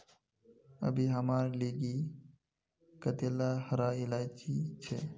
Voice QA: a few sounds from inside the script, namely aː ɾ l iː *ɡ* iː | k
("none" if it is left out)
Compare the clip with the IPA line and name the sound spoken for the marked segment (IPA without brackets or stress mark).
ɡ